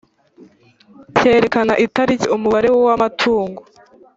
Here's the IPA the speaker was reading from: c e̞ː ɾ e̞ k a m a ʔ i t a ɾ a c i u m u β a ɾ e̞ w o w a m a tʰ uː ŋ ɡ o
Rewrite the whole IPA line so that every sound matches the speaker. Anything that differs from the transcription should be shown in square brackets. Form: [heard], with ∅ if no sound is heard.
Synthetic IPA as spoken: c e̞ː ɾ e̞ k a [n] a ʔ i t a ɾ [i] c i u m u β a ɾ e̞ w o w a m a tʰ uː ŋ ɡ o